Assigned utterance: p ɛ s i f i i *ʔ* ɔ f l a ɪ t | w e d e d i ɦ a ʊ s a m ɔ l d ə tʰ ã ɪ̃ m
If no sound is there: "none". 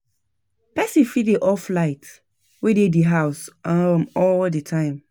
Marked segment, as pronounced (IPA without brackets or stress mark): ʔ